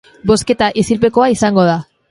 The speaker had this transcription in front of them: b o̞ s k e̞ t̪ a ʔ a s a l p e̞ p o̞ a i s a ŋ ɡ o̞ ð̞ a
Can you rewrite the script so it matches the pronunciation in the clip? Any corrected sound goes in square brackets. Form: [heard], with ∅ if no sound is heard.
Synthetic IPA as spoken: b o̞ s k e̞ t̪ a ʔ [i] s [i] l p e̞ [k] o̞ a i s a ŋ ɡ o̞ ð̞ a